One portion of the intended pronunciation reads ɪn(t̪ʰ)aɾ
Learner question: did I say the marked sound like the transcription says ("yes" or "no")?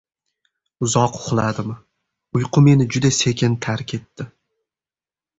yes